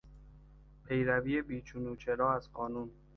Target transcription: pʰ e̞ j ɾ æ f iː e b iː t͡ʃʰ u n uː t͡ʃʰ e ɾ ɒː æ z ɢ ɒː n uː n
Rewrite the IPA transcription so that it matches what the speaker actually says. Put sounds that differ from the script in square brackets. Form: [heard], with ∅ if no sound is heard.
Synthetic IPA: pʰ e̞ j ɾ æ [v] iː e b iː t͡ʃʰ u n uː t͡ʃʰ e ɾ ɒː æ z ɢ ɒː n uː n